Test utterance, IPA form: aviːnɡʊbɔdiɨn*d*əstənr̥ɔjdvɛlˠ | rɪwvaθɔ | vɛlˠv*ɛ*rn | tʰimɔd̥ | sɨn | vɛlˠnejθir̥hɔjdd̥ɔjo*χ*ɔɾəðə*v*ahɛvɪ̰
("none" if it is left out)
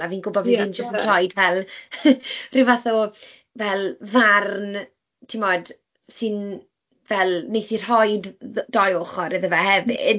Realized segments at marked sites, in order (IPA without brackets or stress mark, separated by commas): d͡ʒ, a, χ, v